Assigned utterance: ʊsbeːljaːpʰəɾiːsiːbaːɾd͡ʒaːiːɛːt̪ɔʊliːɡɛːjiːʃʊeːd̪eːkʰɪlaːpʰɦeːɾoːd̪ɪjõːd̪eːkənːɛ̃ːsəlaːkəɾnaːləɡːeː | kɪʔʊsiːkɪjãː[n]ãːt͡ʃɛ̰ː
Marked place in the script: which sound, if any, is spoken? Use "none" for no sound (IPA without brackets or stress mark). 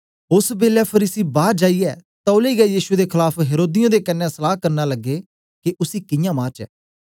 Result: m